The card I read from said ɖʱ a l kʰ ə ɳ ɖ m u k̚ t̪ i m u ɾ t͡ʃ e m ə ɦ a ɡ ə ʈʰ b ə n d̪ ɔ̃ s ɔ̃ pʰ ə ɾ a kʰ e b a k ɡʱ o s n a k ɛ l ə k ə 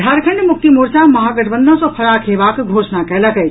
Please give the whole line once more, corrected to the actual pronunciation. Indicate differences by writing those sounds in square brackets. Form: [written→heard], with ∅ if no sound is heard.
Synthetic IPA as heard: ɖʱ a [l→ɾ] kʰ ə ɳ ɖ m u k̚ t̪ i m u ɾ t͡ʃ [e→a] m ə ɦ a ɡ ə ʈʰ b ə n d̪ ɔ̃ s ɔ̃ pʰ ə ɾ a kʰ e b a k ɡʱ o s n a k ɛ l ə k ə